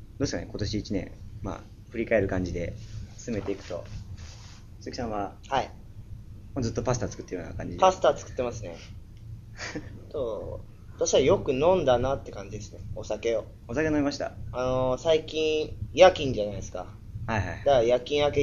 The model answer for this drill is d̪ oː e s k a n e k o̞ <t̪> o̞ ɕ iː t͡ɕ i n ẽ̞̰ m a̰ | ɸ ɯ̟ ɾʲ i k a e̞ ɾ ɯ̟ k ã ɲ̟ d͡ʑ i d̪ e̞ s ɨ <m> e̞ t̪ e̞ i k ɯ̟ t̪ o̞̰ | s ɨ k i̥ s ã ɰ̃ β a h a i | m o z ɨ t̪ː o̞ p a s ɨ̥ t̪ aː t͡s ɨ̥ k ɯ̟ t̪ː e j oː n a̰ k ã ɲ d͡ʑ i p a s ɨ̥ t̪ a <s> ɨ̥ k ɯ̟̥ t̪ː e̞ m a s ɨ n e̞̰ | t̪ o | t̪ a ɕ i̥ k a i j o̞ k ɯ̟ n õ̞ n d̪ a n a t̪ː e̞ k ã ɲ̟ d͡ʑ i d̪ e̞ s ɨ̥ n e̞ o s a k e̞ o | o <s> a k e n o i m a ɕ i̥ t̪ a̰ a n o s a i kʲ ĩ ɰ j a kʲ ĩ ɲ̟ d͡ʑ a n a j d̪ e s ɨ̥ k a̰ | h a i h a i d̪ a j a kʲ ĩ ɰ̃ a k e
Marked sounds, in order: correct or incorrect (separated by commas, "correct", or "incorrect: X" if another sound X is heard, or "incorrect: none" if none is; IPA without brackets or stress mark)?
correct, correct, incorrect: t͡s, correct